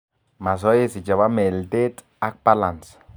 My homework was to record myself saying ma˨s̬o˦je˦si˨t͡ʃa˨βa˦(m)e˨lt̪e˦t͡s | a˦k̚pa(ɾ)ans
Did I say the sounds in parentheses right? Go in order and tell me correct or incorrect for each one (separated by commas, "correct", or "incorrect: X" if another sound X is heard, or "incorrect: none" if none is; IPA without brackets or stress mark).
correct, incorrect: l